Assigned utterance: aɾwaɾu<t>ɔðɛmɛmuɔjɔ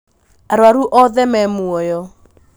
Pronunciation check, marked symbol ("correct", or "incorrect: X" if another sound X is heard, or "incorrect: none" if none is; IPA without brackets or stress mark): incorrect: ʔ